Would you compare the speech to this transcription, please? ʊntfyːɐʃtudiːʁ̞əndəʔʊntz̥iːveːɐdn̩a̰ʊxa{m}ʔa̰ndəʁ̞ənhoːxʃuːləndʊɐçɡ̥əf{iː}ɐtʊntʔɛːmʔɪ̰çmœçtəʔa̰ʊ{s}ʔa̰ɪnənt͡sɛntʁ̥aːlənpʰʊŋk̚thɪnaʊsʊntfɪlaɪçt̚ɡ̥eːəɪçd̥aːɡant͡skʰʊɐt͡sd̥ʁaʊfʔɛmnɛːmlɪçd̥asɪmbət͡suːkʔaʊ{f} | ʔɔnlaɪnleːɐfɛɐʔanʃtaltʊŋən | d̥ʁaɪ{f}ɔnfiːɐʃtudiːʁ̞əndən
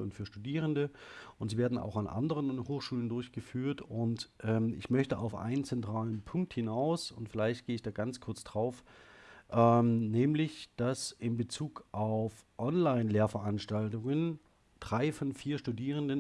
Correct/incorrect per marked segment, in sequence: incorrect: n, incorrect: yː, incorrect: f, correct, correct

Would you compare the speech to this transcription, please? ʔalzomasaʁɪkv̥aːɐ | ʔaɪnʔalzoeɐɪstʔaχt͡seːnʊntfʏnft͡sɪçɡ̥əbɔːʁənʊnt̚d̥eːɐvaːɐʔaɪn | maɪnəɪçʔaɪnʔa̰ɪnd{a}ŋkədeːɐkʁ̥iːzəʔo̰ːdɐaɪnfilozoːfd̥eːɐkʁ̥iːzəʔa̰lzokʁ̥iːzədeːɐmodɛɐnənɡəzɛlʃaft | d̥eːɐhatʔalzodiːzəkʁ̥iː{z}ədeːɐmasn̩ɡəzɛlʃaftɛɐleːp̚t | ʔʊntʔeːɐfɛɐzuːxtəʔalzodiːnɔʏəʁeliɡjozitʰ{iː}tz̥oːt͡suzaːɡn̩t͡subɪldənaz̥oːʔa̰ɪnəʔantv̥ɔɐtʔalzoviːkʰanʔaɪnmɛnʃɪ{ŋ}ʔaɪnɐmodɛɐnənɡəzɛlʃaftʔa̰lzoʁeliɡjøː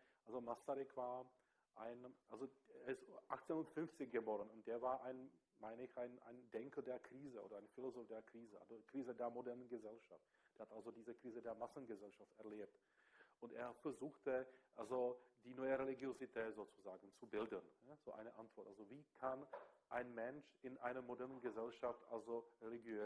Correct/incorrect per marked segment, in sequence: incorrect: ɛ, correct, incorrect: ɛː, incorrect: n

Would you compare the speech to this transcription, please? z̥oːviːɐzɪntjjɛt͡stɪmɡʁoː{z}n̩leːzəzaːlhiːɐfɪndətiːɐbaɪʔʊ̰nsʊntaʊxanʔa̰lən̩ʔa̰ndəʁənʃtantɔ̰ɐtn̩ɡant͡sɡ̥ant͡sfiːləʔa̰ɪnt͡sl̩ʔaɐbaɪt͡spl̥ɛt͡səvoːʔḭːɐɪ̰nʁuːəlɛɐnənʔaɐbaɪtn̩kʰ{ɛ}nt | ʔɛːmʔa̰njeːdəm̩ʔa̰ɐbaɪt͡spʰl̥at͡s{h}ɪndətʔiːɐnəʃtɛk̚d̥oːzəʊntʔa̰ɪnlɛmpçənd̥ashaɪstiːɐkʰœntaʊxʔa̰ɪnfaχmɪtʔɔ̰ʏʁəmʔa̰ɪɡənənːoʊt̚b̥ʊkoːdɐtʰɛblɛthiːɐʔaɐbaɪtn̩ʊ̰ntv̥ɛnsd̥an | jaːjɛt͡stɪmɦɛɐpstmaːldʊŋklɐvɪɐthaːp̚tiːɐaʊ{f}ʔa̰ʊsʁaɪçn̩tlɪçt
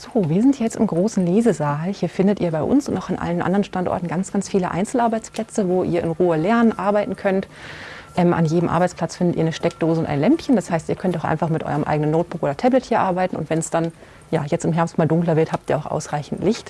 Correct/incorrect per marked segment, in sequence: incorrect: s, incorrect: œ, incorrect: f, incorrect: x

